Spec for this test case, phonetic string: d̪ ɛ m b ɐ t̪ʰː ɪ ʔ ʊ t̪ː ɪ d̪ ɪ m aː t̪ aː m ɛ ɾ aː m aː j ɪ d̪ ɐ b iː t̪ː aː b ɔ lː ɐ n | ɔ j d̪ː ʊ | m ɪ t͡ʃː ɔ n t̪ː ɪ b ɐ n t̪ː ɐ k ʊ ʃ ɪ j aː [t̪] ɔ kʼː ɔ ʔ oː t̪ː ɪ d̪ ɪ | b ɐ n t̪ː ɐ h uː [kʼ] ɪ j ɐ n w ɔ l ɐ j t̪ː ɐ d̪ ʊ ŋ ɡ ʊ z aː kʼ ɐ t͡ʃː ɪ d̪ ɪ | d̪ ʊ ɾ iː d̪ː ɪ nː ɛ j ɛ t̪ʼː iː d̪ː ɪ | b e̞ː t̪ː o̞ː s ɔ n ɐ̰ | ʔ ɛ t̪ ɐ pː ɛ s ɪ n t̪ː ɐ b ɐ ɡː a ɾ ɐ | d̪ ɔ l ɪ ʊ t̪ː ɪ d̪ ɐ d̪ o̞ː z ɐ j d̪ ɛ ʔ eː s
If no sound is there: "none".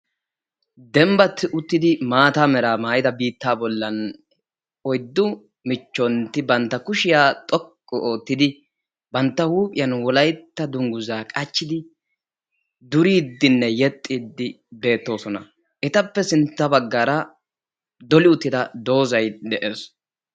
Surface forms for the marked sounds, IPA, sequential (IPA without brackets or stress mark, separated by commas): t̪ʼ, pʼ